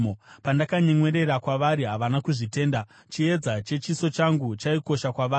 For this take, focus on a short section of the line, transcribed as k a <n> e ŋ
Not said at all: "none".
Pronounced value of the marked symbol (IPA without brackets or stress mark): ɲ